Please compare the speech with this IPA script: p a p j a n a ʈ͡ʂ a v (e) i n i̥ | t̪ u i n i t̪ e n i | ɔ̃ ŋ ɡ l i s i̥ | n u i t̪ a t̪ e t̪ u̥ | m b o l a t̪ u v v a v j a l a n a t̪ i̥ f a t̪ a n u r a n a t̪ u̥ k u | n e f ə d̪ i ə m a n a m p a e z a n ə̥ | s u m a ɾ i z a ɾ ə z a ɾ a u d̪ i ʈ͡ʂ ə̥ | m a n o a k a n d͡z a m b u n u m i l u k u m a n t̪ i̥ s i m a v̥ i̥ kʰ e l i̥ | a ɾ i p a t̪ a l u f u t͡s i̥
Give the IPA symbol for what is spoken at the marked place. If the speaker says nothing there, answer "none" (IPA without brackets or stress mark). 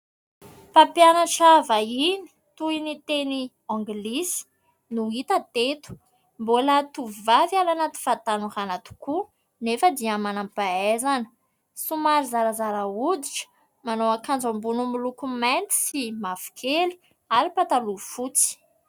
a